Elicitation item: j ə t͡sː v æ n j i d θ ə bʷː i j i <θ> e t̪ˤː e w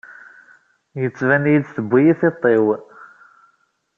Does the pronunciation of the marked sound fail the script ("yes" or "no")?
no